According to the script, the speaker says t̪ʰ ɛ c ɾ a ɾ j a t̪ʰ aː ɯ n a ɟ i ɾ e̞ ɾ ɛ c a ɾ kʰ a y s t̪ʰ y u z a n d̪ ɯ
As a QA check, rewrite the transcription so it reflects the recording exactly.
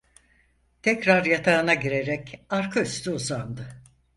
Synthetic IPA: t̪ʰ ɛ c ɾ a ɾ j a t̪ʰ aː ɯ n a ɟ i ɾ e̞ ɾ ɛ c a ɾ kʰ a y s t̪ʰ y u z a n d̪ ɯ